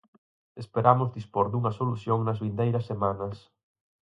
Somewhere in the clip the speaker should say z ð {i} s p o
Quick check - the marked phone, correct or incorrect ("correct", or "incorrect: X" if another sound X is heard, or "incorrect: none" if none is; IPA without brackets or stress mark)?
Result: correct